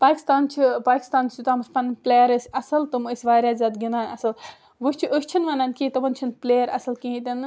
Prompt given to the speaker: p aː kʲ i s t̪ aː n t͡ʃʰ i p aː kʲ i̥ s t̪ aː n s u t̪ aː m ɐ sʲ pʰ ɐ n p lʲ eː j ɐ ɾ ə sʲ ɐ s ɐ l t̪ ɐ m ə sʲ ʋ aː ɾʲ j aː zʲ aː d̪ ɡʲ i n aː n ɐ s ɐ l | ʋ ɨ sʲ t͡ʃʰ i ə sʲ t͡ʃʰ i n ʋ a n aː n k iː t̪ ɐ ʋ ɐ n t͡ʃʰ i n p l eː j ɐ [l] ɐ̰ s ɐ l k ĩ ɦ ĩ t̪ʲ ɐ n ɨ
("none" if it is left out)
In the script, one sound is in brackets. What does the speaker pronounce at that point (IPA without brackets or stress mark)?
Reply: ɾ